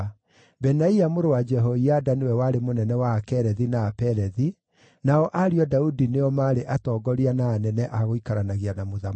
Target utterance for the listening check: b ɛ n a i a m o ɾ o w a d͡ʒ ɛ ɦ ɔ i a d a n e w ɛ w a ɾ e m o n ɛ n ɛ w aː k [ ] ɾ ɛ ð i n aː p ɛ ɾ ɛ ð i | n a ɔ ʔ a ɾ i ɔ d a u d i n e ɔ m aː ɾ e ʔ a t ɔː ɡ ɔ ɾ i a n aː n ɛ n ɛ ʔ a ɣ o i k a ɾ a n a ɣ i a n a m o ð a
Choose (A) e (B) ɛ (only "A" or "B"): B